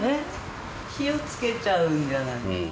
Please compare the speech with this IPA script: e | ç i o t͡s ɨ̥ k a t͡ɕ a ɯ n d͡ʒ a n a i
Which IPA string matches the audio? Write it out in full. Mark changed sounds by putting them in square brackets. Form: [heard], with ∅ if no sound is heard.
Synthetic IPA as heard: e | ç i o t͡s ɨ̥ k [e] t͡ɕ a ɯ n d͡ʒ a n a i